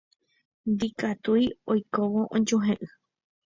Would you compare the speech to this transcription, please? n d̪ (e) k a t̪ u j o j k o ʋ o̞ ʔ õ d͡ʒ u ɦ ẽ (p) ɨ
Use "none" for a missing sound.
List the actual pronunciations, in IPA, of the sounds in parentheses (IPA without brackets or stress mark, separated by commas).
i, ʔ